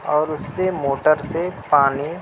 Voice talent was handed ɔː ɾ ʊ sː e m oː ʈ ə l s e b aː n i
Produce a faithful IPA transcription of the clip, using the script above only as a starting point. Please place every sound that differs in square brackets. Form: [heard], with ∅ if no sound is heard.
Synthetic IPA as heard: ɔː ɾ ʊ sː e m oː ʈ ə [ɾ] s e [p] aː n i